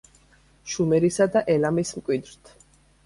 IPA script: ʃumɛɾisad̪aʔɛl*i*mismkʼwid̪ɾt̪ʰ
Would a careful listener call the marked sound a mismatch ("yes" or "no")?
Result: yes